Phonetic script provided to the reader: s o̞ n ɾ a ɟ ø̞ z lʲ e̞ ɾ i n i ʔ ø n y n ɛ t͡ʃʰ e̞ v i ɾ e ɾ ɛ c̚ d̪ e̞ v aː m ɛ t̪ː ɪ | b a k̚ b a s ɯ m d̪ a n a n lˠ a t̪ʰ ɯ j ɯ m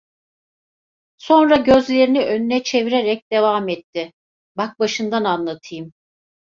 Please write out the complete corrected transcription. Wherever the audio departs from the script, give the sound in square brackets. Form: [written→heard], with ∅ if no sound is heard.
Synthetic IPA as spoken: s o̞ n ɾ a ɟ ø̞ z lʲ e̞ ɾ i n i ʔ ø n y n ɛ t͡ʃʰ e̞ v i ɾ e ɾ ɛ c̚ d̪ e̞ v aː m ɛ t̪ː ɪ | b a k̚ b a [s→ʃ] ɯ [m→n] d̪ a n a n lˠ a t̪ʰ ɯ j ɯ m